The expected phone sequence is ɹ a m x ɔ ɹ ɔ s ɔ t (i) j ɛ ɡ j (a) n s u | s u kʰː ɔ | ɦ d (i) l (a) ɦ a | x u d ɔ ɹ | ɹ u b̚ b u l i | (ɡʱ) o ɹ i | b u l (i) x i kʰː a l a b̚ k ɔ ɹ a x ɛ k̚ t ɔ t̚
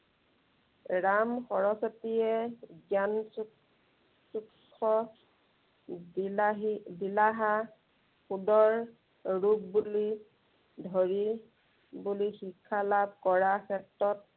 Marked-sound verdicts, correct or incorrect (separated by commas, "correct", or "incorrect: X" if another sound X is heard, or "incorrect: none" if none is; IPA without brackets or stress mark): correct, correct, correct, correct, incorrect: dʱ, correct